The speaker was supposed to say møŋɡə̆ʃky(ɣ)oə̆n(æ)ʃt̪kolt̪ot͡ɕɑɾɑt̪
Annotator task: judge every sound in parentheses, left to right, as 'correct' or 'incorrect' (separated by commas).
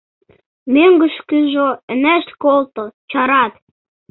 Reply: incorrect, correct